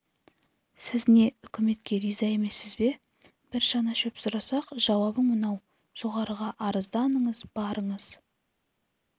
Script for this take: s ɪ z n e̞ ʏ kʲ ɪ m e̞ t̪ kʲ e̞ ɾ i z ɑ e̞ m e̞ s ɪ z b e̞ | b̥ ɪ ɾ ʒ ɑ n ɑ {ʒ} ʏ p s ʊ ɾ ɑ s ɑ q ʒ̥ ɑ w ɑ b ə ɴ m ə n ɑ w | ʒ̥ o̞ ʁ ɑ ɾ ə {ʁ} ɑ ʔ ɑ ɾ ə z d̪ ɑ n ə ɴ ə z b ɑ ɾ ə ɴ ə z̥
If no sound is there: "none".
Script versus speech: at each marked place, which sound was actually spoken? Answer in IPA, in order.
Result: ʃ, ʁ

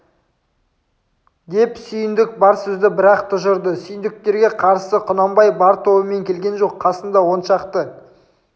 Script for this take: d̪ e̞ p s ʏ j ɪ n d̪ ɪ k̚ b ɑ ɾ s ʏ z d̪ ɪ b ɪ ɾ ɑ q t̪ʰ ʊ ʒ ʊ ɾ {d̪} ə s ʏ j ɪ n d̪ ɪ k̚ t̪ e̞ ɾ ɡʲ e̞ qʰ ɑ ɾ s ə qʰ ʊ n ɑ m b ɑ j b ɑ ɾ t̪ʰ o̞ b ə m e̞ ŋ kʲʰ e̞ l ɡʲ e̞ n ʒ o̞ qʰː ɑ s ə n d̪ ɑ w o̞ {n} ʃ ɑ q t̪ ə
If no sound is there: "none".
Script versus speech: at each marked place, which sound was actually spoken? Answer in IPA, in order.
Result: d̪, n

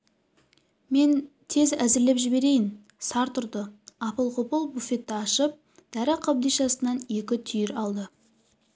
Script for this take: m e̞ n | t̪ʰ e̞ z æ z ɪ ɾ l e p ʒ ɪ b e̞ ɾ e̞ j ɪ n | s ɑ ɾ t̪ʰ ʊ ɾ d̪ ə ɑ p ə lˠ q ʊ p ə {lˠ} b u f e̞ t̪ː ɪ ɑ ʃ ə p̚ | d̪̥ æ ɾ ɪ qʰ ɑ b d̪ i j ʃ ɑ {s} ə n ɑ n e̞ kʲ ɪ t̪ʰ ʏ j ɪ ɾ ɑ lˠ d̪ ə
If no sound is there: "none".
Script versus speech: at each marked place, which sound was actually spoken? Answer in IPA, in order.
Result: lˠ, s

